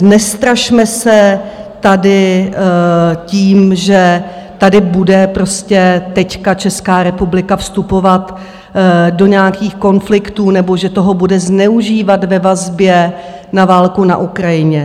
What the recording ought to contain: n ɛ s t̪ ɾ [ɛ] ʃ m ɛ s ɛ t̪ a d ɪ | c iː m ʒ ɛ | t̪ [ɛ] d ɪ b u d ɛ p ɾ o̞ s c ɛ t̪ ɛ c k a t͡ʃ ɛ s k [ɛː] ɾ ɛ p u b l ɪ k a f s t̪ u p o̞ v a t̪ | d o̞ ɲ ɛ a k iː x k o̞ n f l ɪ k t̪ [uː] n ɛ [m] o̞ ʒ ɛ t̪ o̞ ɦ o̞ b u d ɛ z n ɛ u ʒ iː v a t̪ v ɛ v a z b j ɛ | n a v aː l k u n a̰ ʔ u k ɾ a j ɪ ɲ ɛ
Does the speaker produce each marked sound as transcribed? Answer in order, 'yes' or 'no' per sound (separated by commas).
no, no, no, yes, no